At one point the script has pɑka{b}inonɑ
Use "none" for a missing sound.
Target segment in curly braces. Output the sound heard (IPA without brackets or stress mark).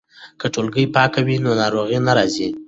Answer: w